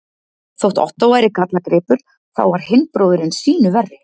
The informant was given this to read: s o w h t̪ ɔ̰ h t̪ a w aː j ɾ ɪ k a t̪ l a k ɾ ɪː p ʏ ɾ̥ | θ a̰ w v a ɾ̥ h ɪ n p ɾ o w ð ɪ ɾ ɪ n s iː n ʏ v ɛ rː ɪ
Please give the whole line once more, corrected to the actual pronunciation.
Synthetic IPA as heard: θ o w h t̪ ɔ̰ h t̪ a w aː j ɾ ɪ k a t̪ l a k ɾ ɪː p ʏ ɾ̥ | θ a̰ w v a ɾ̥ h ɪ n p ɾ o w ð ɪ ɾ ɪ n s iː n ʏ v ɛ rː ɪ